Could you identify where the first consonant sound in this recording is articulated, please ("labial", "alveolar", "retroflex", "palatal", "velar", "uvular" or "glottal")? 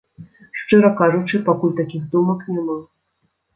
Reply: retroflex